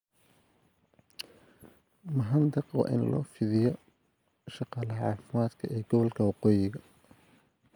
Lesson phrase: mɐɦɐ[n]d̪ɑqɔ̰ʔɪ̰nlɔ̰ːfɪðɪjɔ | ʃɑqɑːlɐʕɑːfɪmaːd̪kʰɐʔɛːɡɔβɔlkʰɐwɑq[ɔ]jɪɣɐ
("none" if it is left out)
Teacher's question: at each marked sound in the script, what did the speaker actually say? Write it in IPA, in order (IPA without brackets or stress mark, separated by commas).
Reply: n, ɔː